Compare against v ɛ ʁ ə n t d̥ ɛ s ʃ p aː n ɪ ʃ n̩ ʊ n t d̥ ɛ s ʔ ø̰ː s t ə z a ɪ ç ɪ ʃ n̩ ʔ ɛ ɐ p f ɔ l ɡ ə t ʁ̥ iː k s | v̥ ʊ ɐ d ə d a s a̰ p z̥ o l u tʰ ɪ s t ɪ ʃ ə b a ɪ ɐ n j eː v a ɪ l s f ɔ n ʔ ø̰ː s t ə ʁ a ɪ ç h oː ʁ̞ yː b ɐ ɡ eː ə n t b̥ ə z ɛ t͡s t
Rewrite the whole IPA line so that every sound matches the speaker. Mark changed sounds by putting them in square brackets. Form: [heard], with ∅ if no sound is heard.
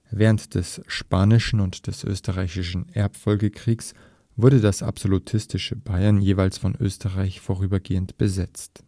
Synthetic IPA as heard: v [ɛː] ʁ ə n t d̥ ɛ s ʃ p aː n ɪ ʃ n̩ ʊ n t d̥ ɛ s ʔ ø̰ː s t ə [ʁ] a ɪ ç ɪ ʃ n̩ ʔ ɛ ɐ p f ɔ l ɡ ə [k] ʁ̥ iː k s | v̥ ʊ ɐ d ə d a s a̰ p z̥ o l u tʰ ɪ s t ɪ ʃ ə b a ɪ ɐ n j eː v a ɪ l s f ɔ n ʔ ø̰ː s t ə ʁ a ɪ ç [f] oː ʁ̞ yː b ɐ ɡ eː ə n t b̥ ə z ɛ t͡s t